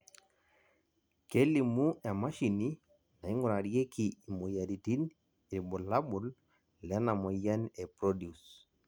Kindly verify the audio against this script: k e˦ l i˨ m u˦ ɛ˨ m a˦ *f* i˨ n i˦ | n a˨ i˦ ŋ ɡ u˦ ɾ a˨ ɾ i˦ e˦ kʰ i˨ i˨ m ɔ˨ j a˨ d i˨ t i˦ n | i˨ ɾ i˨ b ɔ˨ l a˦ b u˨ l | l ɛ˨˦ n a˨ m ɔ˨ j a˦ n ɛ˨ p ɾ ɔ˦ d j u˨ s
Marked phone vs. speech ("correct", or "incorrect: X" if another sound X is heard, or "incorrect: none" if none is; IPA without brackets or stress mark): incorrect: ʃ